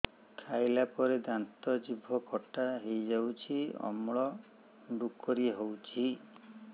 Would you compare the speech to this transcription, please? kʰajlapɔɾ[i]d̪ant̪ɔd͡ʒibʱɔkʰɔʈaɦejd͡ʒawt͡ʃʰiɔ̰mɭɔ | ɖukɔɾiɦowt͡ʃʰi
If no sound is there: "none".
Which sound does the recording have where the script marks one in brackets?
e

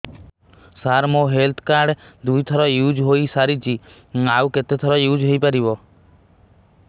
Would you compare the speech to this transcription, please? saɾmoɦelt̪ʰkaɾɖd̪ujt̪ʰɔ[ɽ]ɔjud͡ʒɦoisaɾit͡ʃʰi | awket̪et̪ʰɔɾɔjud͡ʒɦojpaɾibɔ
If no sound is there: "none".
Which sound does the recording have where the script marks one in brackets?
ɾ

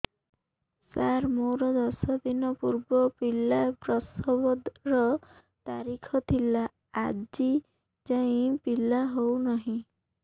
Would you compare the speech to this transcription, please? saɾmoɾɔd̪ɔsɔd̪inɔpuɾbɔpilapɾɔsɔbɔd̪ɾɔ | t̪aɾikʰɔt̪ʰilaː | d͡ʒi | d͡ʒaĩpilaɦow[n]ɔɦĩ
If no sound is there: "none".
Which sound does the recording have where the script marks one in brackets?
n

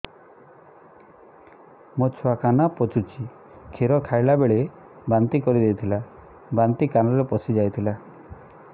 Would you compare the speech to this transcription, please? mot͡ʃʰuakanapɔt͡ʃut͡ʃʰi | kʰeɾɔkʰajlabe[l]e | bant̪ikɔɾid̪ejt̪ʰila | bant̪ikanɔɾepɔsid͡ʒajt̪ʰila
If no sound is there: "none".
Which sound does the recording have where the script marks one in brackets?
ɭ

